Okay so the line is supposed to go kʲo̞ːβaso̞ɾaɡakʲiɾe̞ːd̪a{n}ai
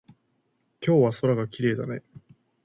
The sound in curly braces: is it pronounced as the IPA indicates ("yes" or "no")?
yes